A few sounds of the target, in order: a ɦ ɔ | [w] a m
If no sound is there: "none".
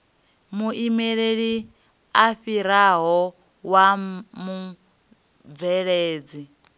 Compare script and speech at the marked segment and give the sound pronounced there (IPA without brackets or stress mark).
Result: w